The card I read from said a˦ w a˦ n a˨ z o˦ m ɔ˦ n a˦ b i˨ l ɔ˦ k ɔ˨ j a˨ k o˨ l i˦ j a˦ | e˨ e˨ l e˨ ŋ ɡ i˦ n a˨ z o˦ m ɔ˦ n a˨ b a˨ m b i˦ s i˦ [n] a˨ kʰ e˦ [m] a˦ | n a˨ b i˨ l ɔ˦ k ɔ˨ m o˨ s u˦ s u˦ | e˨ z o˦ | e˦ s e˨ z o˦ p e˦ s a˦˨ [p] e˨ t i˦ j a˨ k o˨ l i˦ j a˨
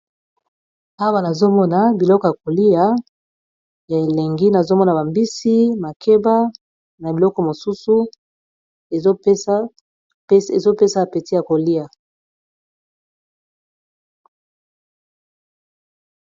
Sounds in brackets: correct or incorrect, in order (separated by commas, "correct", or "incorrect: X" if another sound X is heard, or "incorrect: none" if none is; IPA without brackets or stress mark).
incorrect: m, incorrect: b, correct